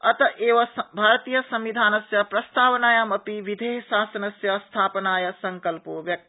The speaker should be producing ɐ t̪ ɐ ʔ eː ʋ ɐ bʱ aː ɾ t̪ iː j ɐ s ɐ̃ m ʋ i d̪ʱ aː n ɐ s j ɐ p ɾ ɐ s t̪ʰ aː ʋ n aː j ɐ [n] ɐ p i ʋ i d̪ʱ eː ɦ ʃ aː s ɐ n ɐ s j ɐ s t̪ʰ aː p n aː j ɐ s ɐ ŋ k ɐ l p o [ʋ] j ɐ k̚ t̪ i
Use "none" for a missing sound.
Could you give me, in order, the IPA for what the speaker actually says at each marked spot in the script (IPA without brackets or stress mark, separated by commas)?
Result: m, ʋ